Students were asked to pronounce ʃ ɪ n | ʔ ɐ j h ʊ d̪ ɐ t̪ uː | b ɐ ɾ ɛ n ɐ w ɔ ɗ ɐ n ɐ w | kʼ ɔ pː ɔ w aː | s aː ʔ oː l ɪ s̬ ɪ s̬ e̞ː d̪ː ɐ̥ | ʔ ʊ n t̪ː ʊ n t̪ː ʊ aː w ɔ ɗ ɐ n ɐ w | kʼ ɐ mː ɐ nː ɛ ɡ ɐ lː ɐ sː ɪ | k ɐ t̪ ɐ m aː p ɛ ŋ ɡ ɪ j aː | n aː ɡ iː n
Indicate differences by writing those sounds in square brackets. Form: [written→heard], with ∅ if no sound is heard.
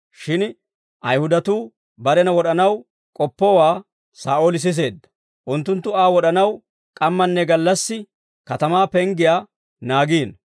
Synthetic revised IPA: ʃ ɪ n | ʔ ɐ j h ʊ d̪ ɐ t̪ uː | b ɐ ɾ ɛ n ɐ w ɔ ɗ ɐ n ɐ w | kʼ ɔ pː ɔ w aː | s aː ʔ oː l ɪ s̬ ɪ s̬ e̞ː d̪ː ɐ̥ | ʔ ʊ n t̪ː ʊ n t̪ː ʊ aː w ɔ ɗ ɐ n ɐ w | kʼ ɐ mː ɐ nː ɛ ɡ ɐ lː ɐ sː ɪ | k ɐ t̪ ɐ m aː p ɛ ŋ ɡ ɪ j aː | n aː ɡ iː n